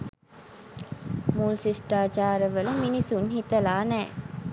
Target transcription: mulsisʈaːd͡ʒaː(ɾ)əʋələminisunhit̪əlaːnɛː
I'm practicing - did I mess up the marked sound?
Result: no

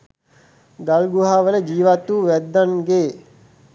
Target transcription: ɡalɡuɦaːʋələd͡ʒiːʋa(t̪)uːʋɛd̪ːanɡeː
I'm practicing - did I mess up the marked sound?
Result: no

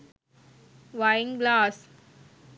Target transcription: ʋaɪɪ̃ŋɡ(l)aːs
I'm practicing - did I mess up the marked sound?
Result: no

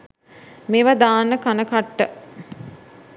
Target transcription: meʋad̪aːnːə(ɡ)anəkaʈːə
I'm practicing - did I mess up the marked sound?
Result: yes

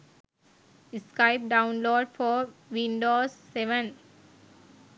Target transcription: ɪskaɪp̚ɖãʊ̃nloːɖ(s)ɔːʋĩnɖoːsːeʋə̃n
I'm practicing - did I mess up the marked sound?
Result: yes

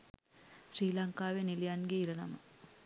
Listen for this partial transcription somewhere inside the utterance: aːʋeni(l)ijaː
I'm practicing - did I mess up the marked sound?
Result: no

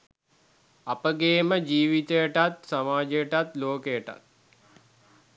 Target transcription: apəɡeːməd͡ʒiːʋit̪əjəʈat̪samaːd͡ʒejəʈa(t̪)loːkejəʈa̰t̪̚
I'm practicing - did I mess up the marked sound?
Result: no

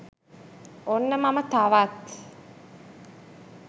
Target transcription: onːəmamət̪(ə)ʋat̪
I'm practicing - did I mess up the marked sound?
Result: yes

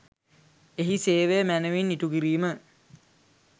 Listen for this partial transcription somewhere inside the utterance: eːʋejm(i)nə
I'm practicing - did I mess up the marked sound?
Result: yes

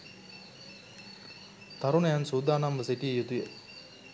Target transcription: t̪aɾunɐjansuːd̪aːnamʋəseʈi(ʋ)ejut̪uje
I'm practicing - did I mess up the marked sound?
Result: yes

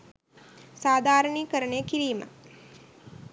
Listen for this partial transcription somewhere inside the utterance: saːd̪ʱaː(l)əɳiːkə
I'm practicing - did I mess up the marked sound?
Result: yes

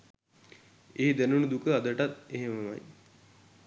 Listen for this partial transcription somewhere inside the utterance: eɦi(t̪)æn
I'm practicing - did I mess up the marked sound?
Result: yes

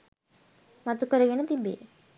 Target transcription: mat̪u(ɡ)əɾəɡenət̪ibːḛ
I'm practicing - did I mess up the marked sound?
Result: yes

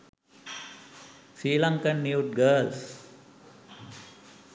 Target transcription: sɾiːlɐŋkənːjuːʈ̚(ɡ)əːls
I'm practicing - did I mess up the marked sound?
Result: no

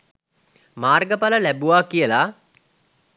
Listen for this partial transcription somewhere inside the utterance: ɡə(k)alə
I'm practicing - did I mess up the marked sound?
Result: yes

